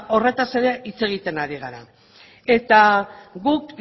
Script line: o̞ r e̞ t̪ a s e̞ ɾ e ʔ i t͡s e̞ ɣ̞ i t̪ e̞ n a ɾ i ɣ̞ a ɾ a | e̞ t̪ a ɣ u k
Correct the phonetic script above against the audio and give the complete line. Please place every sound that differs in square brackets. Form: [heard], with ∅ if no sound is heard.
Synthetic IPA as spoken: o̞ r e̞ t̪ a s e̞ ɾ e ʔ i t͡s e̞ ɣ̞ i t̪ e̞ n a ɾ i ɣ̞ a ɾ a | e̞ t̪ a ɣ u k

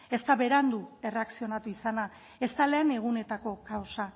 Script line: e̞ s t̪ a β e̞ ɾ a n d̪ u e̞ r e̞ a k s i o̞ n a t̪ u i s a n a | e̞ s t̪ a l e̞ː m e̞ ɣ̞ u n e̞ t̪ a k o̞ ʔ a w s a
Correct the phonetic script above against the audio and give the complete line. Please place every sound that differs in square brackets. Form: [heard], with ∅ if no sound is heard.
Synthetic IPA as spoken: e̞ s t̪ a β e̞ ɾ a n d̪ u e̞ r e̞ a k s i o̞ n a t̪ u i s a n a | e̞ s t̪ a l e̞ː [n] e̞ ɣ̞ u n e̞ t̪ a k o̞ [k] a w s a

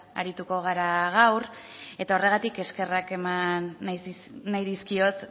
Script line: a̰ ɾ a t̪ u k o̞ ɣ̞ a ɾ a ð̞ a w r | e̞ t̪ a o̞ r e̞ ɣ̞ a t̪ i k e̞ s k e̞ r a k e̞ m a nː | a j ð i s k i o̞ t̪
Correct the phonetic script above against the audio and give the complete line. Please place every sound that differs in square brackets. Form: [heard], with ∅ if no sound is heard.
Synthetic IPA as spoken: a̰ ɾ [i] t̪ u k o̞ ɣ̞ a ɾ a [ɣ̞] a w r | e̞ t̪ a o̞ r e̞ ɣ̞ a t̪ i k e̞ s k e̞ r a k e̞ m a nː | a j ð i s k i o̞ t̪

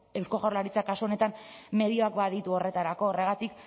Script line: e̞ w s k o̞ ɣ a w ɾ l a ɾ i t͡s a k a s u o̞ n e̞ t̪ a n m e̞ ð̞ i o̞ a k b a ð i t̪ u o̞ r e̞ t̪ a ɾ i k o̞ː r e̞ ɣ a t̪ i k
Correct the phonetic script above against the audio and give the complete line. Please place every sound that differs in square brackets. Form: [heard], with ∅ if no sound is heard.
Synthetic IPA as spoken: e̞ w s k o̞ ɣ a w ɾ l a ɾ i t͡s a k a s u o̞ n e̞ t̪ a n m e̞ ð̞ i o̞ a k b a ð i t̪ u o̞ r e̞ t̪ a ɾ [a] k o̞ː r e̞ ɣ a t̪ i k

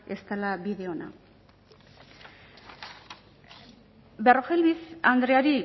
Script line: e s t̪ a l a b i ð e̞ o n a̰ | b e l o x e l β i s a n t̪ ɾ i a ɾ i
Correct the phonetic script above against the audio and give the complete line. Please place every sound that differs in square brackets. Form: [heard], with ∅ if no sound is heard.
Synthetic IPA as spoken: e s t̪ a l a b i ð e̞ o n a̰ | b e [r] o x e l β i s a n [d̪] ɾ [e] a ɾ i

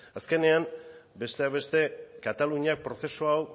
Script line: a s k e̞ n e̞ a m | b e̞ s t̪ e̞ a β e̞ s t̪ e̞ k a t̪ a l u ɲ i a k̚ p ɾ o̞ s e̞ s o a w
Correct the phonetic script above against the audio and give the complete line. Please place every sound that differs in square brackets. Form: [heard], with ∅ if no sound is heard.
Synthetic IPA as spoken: a s k e̞ n e̞ a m | b e̞ s t̪ e̞ a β e̞ s t̪ e̞ k a t̪ a l u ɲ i a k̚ p ɾ o̞ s e̞ s o a w

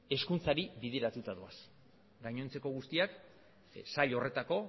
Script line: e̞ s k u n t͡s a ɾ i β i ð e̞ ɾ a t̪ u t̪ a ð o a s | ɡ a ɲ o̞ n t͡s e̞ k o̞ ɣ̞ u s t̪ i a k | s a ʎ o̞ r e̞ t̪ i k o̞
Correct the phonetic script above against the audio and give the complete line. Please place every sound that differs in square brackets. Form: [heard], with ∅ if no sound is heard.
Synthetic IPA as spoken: e̞ s k u n t͡s a ɾ i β i ð e̞ ɾ a t̪ u t̪ a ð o a s | ɡ a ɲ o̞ n t͡s e̞ k o̞ ɣ̞ u s t̪ i a k | s a ʎ o̞ r e̞ t̪ [a] k o̞

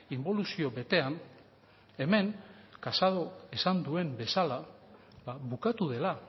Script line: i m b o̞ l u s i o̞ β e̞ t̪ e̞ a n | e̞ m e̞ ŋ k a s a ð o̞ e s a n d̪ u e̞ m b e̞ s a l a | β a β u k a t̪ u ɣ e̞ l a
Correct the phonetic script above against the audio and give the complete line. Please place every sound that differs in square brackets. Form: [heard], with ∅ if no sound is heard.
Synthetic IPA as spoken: i m b o̞ l u s i o̞ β e̞ t̪ e̞ a n | e̞ m e̞ ŋ k a s a ð o̞ e s a n d̪ u e̞ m b e̞ s a l a | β a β u k a t̪ u [ð] e̞ l a

